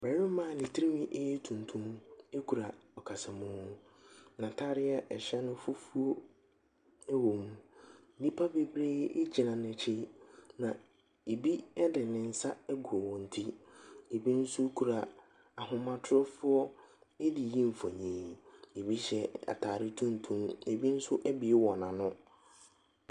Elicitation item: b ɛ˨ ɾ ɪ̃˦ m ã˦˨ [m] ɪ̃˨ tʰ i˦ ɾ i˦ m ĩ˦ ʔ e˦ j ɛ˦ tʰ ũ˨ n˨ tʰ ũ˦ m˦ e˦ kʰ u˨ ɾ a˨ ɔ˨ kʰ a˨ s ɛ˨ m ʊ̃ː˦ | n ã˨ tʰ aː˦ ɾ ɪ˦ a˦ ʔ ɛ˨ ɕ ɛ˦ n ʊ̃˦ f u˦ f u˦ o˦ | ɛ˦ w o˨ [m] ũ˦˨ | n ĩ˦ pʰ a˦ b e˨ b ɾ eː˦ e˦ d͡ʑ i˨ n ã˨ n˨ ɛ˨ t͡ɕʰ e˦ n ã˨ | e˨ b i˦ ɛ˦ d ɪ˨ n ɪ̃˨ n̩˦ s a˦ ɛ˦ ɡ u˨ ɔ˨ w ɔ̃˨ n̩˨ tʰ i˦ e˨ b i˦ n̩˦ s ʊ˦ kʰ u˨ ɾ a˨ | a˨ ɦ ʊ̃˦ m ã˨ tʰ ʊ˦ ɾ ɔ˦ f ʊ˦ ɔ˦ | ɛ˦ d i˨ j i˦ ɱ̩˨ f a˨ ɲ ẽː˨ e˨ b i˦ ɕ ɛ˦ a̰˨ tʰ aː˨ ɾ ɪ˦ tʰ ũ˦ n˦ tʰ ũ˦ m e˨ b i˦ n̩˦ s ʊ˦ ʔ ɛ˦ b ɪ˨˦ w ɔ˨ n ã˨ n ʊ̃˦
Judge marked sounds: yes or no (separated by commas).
no, yes